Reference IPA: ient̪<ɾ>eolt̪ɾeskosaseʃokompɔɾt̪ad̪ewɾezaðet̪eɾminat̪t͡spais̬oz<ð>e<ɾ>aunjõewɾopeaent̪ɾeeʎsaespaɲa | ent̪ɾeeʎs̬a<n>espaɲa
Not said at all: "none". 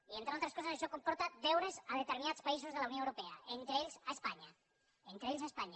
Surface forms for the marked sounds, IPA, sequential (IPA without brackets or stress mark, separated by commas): ɾ, ð, l, none